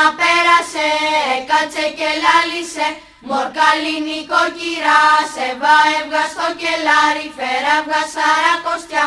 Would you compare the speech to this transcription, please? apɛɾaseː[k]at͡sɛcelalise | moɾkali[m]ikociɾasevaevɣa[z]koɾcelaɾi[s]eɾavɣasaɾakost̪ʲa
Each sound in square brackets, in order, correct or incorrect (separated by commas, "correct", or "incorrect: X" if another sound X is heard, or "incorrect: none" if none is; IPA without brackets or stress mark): correct, incorrect: n, incorrect: s, incorrect: f